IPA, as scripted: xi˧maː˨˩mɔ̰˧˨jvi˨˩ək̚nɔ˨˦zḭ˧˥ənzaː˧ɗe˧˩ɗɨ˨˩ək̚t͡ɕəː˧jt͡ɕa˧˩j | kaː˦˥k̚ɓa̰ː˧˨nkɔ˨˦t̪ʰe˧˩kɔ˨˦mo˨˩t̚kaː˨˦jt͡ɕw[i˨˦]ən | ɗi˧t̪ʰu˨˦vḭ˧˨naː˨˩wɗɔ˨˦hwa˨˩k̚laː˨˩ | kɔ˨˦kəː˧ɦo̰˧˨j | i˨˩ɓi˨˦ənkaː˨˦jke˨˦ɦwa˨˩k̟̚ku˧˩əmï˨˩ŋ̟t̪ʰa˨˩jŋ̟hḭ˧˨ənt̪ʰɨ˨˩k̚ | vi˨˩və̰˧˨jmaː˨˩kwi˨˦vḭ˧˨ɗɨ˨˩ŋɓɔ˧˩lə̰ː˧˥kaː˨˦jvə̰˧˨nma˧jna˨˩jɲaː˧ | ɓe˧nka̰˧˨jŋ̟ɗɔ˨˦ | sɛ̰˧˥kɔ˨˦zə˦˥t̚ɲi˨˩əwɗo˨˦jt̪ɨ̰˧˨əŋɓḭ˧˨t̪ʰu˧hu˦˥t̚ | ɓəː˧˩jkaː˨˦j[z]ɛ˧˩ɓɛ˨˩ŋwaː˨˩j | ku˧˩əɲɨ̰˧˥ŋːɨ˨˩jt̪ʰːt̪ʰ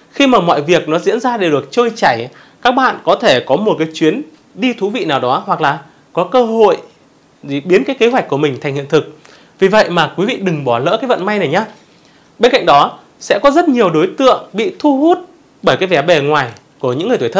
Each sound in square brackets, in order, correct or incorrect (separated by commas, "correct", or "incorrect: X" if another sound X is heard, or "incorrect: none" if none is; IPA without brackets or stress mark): correct, incorrect: v